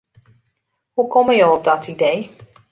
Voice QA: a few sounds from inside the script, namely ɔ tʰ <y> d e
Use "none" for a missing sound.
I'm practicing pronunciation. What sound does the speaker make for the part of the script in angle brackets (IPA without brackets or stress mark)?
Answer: i